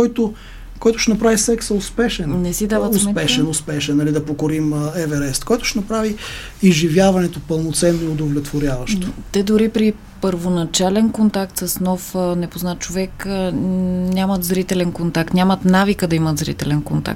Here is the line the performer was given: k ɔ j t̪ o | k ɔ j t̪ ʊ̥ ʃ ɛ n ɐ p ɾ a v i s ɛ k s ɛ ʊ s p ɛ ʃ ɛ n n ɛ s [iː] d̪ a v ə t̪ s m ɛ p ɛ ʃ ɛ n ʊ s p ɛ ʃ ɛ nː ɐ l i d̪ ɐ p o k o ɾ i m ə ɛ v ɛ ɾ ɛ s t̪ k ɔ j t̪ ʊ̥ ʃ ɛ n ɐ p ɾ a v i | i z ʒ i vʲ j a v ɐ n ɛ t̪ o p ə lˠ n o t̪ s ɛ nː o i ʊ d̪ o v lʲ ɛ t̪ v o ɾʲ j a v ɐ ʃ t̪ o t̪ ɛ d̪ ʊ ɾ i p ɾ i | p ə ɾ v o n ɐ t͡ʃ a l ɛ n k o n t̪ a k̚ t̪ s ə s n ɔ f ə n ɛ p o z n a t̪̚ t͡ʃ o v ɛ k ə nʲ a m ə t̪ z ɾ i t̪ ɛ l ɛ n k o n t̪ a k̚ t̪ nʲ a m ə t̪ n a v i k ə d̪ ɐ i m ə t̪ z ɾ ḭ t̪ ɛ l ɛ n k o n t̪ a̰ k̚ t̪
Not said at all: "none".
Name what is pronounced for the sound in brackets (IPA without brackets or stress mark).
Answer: i